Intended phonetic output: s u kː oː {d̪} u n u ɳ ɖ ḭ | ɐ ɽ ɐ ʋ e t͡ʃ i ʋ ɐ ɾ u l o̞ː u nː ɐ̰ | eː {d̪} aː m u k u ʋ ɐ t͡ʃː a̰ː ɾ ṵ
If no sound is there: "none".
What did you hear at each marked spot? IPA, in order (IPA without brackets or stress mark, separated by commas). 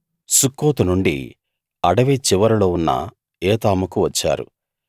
t̪, t̪